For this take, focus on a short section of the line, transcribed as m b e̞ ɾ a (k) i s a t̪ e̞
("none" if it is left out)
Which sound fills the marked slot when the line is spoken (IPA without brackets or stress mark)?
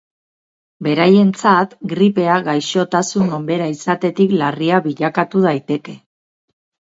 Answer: none